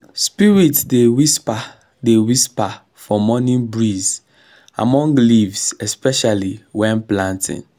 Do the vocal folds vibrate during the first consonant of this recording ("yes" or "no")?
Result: no